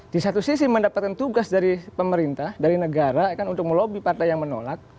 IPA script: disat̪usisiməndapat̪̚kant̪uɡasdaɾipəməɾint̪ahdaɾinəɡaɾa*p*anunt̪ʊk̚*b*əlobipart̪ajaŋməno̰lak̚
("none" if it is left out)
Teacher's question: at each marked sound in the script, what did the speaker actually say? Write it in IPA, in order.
k, m

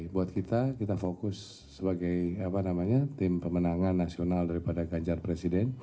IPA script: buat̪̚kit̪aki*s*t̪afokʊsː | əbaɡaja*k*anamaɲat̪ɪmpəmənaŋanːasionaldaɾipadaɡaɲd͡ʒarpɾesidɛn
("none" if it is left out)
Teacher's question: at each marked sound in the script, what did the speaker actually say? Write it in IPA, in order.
none, p

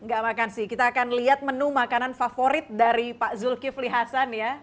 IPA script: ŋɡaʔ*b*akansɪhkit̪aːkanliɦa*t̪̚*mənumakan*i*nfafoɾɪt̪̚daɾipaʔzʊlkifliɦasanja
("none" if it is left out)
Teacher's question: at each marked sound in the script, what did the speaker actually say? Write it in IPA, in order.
m, t̪̚, a

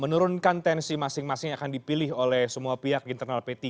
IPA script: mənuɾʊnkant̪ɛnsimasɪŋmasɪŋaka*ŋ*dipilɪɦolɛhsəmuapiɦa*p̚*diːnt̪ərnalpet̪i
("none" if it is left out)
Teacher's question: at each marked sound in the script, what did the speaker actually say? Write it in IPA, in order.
n, k̚

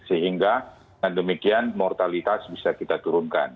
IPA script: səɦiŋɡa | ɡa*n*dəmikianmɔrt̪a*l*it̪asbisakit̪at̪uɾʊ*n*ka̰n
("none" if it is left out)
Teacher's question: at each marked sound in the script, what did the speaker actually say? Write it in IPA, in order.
n, l, n

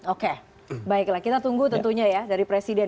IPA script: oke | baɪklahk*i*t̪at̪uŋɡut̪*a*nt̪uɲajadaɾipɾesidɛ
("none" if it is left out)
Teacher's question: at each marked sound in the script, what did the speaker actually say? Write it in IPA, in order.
i, ə

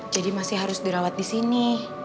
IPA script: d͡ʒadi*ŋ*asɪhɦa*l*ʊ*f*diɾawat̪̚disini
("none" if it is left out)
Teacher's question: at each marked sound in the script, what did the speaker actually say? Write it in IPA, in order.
m, ɾ, s

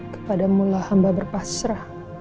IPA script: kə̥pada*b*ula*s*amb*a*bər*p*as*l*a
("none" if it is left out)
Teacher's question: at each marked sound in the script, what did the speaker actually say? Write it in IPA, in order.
m, h, a, p, ɾ

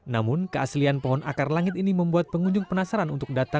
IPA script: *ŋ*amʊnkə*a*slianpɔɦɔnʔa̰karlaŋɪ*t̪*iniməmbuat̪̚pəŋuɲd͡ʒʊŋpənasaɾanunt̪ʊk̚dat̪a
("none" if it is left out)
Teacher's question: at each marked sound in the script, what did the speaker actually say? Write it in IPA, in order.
n, a, t̪

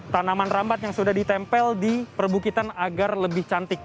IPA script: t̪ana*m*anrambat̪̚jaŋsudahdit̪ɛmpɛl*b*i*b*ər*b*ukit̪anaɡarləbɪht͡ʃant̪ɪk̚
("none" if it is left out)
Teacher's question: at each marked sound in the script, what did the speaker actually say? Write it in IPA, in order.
m, d, p, b

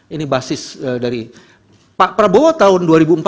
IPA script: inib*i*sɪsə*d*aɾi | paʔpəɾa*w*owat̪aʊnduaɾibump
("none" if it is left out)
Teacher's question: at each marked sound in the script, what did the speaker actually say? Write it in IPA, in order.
a, d, b

